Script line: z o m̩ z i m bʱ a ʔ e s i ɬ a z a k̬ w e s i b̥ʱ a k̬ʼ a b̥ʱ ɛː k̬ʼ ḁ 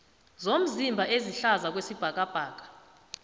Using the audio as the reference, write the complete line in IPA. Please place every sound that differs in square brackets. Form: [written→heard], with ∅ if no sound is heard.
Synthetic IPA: z o m̩ z i m bʱ a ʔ e [s→z] i ɬ a z a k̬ w e s i b̥ʱ a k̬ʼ a b̥ʱ [ɛː→aː] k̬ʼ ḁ